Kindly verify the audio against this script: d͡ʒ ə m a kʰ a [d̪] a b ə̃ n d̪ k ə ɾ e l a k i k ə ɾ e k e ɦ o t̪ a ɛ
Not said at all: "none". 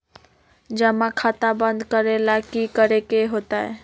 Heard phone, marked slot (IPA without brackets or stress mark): t̪